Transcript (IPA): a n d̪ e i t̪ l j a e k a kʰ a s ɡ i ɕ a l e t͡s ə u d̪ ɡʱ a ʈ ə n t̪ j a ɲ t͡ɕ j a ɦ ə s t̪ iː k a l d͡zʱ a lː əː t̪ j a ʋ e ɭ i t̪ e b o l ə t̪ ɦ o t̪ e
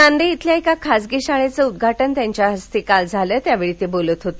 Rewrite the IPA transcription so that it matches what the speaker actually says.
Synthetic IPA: a n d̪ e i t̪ l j a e k a kʰ a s ɡ i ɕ a ɭ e t͡s ə u d̪ ɡʱ a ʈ ə n t̪ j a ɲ t͡ɕ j a ɦ ə s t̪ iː k a l d͡zʱ a l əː t̪ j a ʋ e ɭ i t̪ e b o l ə t̪ ɦ o t̪ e